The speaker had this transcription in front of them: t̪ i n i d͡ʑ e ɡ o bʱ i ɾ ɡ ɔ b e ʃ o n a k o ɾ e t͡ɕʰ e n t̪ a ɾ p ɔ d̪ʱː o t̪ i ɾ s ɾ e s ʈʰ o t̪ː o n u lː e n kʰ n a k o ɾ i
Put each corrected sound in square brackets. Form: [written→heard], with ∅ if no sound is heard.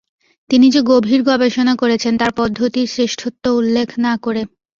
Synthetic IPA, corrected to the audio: t̪ i n i d͡ʑ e ɡ o bʱ i ɾ ɡ ɔ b e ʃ o n a k o ɾ e t͡ɕʰ e n t̪ a ɾ p ɔ d̪ʱː o t̪ i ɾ s ɾ e [s→ʃ] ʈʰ o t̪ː o [n→∅] u lː e [n→∅] kʰ n a k o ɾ [i→e]